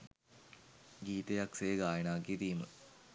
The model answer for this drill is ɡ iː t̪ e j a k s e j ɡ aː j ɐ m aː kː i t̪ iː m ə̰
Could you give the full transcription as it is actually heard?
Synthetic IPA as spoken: ɡ iː t̪ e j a k s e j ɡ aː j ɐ n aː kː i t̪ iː m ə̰